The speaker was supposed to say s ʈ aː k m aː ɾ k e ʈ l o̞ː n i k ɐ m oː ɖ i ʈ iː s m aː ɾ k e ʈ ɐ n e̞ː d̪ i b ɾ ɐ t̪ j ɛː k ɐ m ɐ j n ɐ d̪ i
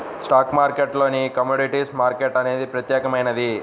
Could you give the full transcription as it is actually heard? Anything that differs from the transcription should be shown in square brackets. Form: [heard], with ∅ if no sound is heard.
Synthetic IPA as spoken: s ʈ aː k m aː ɾ k e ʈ l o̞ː n i k ɐ m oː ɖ i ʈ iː s m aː ɾ k e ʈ ɐ n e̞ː d̪ i [p] ɾ ɐ t̪ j ɛː k ɐ m ɐ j n ɐ d̪ i